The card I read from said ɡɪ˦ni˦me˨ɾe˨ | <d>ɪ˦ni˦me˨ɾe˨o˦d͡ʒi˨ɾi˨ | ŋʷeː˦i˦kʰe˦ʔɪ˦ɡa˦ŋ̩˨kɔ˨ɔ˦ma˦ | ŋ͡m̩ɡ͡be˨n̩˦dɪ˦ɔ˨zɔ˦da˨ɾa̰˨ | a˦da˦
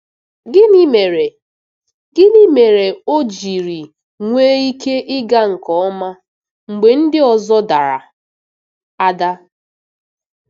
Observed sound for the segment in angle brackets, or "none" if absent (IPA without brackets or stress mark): ɡ